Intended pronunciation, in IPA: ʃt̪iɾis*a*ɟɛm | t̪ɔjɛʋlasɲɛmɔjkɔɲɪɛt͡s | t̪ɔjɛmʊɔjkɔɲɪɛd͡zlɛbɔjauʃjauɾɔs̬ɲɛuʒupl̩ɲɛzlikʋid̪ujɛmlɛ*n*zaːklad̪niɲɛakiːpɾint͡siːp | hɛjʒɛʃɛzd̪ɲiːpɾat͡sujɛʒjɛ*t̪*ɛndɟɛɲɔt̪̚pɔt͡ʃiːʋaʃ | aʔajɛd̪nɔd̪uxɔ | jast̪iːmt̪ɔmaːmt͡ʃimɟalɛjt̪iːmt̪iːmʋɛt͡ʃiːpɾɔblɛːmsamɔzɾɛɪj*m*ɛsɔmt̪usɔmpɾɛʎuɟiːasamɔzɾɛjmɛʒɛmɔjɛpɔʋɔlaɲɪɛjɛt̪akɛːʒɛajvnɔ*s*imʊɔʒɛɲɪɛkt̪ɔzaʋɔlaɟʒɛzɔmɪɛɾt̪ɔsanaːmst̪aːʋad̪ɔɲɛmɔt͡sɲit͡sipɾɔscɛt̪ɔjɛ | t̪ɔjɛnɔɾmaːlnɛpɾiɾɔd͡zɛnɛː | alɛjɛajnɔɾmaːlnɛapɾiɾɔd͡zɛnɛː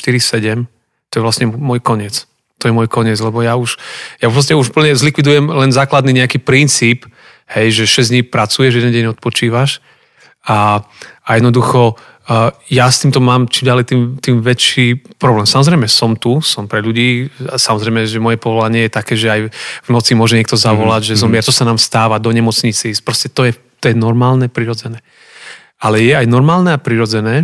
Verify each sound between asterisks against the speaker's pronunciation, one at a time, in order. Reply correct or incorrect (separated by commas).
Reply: incorrect, correct, incorrect, correct, incorrect